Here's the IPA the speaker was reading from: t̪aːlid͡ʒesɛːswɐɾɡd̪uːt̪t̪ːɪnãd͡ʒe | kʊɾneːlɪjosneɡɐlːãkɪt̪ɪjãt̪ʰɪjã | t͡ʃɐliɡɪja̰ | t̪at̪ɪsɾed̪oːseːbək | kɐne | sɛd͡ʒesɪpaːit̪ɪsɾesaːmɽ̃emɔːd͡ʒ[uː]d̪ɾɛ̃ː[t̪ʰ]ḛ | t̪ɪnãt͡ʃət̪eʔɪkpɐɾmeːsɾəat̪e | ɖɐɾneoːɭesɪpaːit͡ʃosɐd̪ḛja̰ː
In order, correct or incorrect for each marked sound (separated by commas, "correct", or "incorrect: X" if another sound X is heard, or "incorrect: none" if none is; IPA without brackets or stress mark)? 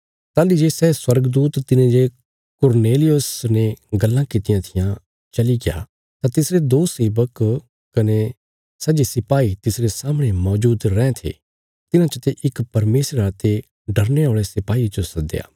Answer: correct, correct